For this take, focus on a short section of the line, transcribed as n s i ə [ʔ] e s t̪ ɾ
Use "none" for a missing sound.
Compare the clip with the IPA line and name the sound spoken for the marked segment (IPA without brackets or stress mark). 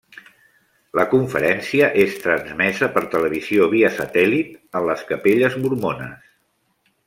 ʔ